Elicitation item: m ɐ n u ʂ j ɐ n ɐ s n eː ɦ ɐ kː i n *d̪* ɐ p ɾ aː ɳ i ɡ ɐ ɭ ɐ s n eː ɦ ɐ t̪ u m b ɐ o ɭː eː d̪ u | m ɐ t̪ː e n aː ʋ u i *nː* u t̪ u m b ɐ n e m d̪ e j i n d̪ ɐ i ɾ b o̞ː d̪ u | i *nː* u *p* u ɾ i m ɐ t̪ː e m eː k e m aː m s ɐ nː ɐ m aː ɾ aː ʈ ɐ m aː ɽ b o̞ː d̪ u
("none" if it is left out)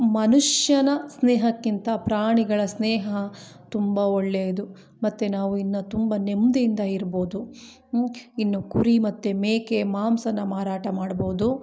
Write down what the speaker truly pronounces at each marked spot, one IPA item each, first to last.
t̪, nː, nː, k

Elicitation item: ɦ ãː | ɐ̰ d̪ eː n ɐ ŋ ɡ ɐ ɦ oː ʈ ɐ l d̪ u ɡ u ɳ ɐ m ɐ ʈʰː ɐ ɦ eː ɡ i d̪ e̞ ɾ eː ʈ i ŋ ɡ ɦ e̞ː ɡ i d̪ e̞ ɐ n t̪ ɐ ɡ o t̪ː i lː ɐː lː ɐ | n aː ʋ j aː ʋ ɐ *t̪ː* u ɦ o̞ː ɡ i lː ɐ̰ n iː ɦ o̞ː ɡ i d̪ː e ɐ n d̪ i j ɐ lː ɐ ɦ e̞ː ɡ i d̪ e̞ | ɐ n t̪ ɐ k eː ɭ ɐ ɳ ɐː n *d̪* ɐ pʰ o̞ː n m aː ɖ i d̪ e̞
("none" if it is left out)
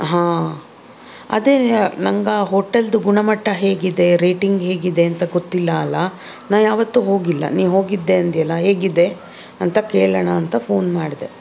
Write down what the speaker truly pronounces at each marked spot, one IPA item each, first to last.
t̪ː, t̪

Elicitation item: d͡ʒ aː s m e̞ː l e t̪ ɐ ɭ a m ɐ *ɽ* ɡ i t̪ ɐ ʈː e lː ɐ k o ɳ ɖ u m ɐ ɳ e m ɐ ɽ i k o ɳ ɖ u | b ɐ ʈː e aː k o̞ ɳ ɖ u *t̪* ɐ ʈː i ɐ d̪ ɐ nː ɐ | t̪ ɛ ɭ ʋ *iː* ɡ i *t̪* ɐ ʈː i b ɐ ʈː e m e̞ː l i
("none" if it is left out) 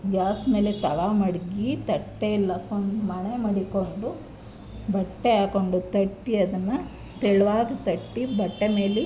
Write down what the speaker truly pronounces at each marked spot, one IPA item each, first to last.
ɽ, t̪, aː, t̪

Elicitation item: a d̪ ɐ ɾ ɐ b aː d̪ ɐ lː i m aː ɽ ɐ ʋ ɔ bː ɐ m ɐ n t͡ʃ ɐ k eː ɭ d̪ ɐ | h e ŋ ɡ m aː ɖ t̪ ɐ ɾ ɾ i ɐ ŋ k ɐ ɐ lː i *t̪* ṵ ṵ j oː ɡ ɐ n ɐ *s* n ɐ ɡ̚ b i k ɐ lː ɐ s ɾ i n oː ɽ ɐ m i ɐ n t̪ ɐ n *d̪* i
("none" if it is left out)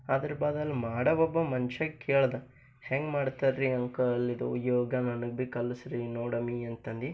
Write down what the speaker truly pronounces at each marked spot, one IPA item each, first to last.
d̪, none, d̪

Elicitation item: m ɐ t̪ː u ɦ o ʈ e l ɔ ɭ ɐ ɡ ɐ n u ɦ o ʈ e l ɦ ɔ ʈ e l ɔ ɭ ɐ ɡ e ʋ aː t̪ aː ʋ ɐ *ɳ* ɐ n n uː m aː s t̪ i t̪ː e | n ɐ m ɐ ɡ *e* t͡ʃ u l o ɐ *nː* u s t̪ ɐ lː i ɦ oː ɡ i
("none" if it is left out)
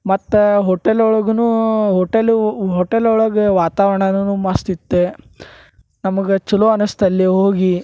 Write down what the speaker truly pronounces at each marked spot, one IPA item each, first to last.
ɳ, e, n

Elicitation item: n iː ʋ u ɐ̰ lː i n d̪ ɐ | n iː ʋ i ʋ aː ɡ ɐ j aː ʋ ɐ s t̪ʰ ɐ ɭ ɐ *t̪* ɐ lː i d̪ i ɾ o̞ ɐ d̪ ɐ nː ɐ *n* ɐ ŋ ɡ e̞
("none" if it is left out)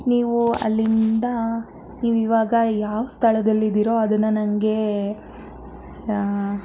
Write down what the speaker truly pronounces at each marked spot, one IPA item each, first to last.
d̪, n

